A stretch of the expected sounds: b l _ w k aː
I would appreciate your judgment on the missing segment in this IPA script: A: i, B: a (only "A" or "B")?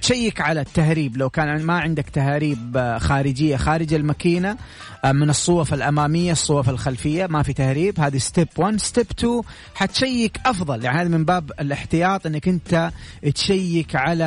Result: B